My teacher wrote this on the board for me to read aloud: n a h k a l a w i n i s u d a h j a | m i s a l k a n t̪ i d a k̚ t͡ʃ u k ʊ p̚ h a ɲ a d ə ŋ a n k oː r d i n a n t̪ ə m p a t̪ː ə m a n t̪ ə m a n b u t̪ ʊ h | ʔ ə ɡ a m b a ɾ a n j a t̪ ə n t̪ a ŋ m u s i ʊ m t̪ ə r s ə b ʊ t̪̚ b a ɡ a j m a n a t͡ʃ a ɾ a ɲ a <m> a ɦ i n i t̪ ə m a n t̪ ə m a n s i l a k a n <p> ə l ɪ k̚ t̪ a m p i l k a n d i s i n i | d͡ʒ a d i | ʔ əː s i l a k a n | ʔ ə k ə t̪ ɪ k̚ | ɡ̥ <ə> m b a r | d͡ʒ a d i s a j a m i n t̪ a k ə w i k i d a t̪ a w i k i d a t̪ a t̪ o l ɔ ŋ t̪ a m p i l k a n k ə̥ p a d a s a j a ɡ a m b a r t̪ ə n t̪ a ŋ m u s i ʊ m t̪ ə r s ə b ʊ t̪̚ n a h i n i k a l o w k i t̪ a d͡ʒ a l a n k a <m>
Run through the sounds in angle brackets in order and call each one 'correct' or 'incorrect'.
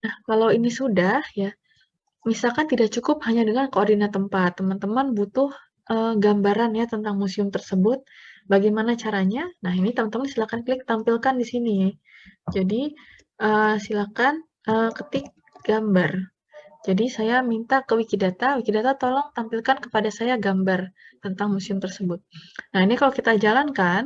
incorrect: n, incorrect: k, incorrect: a, incorrect: n

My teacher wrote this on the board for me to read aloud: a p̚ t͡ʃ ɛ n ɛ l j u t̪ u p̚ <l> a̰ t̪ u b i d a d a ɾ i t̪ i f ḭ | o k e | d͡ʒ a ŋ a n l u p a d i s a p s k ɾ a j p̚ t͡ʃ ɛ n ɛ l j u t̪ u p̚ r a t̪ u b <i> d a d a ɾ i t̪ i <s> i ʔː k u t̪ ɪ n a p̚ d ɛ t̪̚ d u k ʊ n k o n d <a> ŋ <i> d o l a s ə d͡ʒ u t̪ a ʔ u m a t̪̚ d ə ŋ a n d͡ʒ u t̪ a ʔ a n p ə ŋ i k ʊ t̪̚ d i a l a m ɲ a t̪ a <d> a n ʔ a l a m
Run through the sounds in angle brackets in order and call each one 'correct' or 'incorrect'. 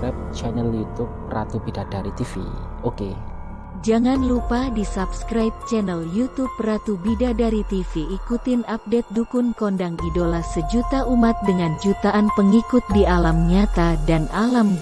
incorrect: r, correct, incorrect: f, correct, correct, correct

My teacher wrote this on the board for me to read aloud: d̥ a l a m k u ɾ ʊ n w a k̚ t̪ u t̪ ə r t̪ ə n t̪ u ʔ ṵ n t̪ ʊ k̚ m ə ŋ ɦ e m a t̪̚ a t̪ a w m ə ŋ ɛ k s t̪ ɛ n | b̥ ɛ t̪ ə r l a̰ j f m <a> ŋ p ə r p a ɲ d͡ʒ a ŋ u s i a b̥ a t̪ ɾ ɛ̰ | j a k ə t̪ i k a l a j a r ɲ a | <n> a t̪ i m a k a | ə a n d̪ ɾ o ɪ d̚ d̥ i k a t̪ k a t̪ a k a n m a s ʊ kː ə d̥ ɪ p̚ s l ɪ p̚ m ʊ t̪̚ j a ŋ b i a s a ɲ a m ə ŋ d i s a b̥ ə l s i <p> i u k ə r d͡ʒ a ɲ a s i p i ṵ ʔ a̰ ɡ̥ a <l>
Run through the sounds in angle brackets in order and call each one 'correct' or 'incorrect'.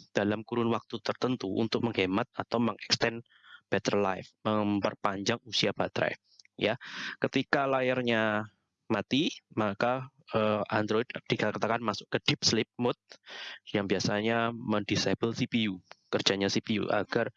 incorrect: ə, incorrect: m, correct, incorrect: r

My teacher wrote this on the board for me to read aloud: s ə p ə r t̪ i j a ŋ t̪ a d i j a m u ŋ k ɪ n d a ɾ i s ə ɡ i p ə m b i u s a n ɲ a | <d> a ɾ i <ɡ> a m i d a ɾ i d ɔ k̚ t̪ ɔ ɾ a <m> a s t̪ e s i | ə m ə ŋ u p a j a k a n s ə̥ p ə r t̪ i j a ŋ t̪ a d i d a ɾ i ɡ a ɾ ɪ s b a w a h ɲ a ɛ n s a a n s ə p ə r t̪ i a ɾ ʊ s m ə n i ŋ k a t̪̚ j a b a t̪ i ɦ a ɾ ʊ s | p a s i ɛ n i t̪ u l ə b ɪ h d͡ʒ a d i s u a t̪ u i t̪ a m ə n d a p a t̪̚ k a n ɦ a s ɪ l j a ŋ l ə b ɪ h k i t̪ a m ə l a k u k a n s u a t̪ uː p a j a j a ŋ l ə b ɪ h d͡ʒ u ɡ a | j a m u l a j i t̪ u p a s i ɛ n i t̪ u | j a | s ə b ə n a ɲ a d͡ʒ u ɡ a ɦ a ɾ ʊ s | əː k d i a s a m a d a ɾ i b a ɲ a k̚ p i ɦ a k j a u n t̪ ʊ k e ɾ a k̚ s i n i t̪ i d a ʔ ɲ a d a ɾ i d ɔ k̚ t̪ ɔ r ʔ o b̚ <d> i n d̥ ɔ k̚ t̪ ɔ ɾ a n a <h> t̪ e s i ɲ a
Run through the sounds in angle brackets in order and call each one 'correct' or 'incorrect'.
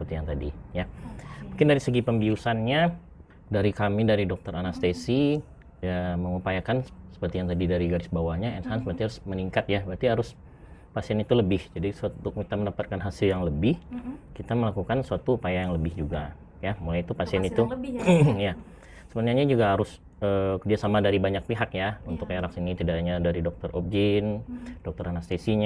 correct, incorrect: k, incorrect: n, incorrect: d͡ʒ, incorrect: s

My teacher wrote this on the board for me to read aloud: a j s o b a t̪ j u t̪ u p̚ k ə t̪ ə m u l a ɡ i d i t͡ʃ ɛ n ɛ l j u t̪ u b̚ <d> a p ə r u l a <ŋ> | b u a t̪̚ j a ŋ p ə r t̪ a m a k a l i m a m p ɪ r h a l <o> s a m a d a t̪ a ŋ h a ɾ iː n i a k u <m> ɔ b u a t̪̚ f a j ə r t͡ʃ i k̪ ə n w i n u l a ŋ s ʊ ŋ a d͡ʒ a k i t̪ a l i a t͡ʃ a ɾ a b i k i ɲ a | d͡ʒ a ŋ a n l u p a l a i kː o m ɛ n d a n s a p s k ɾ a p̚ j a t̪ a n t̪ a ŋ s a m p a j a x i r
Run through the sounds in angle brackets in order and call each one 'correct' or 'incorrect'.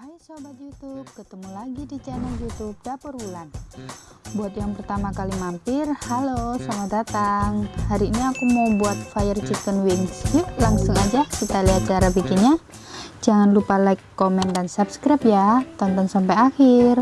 correct, incorrect: n, correct, correct

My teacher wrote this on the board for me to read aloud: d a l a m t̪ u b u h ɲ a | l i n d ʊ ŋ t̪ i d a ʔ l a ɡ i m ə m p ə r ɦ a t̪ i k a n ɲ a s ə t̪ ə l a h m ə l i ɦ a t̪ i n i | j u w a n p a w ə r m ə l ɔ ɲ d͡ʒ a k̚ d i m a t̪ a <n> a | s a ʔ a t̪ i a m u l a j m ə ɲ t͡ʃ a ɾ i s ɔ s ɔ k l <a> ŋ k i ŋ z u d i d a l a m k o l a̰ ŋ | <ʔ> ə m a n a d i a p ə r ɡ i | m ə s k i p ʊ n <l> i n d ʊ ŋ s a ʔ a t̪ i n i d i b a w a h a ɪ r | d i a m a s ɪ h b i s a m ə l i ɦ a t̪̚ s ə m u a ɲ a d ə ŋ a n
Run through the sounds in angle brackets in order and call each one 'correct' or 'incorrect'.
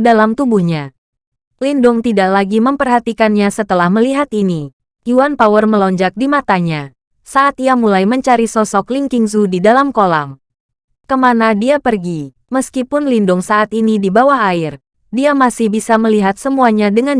incorrect: ɲ, incorrect: i, incorrect: k, correct

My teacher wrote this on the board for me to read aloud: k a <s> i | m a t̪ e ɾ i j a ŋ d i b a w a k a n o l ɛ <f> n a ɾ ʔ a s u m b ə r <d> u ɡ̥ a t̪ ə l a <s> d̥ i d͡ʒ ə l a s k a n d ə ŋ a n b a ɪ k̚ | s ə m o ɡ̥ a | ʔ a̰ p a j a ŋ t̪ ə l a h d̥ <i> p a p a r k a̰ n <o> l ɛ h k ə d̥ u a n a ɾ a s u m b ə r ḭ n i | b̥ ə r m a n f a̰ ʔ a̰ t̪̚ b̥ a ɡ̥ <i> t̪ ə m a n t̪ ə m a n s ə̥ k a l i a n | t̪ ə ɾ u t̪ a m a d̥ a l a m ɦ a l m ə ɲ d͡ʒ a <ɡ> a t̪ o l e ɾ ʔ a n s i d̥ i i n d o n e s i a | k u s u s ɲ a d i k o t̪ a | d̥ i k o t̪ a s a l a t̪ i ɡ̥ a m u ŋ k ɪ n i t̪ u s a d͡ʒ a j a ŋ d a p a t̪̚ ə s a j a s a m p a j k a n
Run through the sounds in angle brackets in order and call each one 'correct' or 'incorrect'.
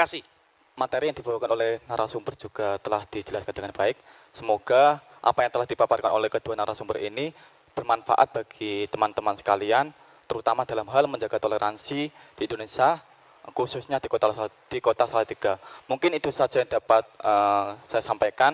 correct, incorrect: h, incorrect: d͡ʒ, incorrect: h, correct, correct, correct, correct

